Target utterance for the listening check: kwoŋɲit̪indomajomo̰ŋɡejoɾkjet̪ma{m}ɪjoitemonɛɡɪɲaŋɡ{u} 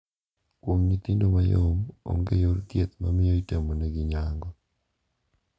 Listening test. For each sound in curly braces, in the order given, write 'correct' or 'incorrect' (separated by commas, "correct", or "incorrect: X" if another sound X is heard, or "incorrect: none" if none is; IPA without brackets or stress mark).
correct, incorrect: ɔ